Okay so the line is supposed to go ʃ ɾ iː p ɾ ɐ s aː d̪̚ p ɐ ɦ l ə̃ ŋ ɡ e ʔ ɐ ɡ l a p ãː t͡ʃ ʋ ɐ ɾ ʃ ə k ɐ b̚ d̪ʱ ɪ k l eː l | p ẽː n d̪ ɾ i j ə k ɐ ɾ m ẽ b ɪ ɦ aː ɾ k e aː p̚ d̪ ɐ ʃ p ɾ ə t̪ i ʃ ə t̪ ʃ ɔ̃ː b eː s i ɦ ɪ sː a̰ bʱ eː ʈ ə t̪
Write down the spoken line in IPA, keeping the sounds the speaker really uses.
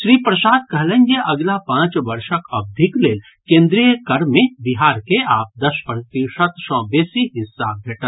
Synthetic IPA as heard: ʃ ɾ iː p ɾ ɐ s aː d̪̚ k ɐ ɦ l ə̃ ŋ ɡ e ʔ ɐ ɡ l a p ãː t͡ʃ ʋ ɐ ɾ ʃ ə k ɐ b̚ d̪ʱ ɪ k l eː l | k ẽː n d̪ ɾ i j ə k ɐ ɾ m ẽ b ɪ ɦ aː ɾ k e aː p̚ d̪ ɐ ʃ p ɾ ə t̪ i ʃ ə t̪ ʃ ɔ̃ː b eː s i ɦ ɪ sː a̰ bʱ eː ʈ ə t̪